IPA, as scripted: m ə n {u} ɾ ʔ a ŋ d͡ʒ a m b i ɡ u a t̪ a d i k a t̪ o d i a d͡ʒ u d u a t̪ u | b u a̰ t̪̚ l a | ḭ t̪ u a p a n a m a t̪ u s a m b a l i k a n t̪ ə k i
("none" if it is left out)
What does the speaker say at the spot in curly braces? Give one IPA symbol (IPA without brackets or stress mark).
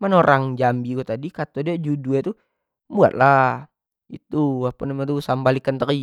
o